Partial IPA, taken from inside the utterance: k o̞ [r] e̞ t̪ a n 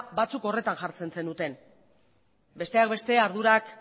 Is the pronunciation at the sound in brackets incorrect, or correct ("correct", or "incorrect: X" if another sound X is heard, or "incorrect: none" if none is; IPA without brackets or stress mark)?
correct